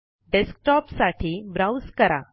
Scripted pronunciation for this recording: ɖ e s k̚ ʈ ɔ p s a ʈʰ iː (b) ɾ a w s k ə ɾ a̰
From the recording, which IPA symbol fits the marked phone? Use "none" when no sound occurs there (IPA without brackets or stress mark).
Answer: b